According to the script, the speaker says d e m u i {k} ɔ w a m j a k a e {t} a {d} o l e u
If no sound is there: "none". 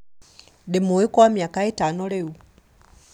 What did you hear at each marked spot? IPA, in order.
k, t, n

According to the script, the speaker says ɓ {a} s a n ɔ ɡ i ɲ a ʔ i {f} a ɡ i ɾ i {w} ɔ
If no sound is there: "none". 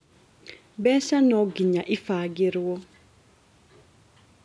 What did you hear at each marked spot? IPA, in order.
ɛ, f, w

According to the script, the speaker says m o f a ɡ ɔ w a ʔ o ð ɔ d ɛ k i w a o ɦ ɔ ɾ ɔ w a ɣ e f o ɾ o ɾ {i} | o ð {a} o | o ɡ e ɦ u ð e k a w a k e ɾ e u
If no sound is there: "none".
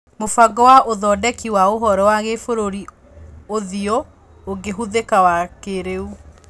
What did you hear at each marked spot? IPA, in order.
i, i

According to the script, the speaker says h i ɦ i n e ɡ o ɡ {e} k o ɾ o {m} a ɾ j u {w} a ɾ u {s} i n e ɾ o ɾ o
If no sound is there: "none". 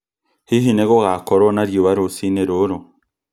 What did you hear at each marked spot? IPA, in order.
a, n, β, s

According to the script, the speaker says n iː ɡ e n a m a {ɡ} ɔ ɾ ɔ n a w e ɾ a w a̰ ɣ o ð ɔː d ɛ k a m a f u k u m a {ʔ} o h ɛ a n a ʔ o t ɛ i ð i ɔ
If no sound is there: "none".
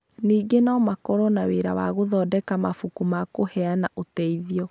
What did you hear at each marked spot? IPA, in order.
k, k

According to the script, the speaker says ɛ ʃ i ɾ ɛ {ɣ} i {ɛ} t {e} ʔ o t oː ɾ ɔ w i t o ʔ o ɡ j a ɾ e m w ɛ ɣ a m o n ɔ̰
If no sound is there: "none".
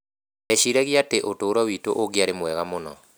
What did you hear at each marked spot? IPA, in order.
ɣ, a, e

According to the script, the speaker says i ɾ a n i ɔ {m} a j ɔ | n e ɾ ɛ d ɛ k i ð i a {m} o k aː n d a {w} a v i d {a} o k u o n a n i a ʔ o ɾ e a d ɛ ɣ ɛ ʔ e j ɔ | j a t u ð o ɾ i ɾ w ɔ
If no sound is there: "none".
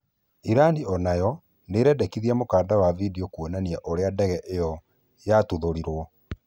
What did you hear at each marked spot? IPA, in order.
n, m, w, i

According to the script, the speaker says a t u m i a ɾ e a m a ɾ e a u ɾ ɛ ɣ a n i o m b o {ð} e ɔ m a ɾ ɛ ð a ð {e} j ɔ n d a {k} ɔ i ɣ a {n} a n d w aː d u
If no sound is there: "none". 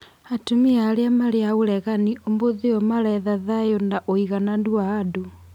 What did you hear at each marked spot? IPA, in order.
ð, a, ʔ, n

